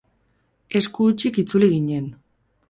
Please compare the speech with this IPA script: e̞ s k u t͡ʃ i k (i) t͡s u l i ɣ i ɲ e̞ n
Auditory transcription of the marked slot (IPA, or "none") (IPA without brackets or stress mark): i